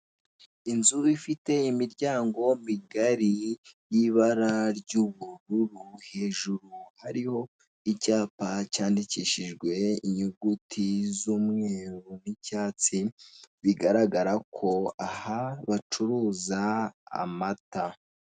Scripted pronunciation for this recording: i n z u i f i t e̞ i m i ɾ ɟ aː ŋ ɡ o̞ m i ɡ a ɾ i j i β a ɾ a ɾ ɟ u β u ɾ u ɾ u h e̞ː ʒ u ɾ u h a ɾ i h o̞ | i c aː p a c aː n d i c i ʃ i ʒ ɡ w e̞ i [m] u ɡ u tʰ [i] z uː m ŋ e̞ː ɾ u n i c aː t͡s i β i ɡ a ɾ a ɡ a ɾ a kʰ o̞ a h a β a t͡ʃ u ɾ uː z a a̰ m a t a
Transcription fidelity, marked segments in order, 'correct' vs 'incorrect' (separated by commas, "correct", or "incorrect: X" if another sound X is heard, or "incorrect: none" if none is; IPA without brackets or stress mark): incorrect: ɲ, correct